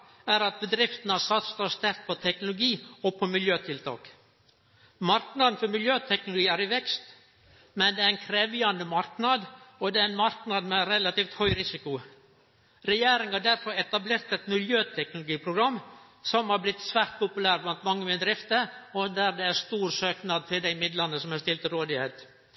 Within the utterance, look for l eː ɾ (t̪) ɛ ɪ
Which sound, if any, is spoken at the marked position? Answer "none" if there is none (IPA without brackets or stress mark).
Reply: t̪